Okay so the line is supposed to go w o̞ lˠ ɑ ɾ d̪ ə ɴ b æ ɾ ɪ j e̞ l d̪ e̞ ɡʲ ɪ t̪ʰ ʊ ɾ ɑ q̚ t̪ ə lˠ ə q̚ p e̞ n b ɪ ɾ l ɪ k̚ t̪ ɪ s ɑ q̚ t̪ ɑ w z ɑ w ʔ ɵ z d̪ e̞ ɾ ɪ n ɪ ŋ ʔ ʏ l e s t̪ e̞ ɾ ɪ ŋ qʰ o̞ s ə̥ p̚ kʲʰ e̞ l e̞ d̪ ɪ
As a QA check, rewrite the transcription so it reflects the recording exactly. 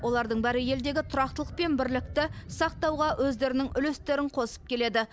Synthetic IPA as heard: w o̞ lˠ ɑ ɾ d̪ ə ɴ b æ ɾ ɪ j e̞ l d̪ e̞ ɡʲ ɪ t̪ʰ ʊ ɾ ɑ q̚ t̪ ə lˠ ə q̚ p e̞ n b ɪ ɾ l ɪ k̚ t̪ ɪ s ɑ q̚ t̪ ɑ w ʁ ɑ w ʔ ɵ z d̪ e̞ ɾ ɪ n ɪ ŋ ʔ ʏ l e s t̪ e̞ ɾ ɪ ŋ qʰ o̞ s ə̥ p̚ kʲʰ e̞ l e̞ d̪ ɪ